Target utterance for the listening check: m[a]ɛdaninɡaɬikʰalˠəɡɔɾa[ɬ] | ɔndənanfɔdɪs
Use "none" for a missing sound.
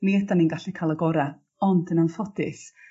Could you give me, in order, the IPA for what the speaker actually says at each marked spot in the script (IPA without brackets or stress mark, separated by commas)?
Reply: i, none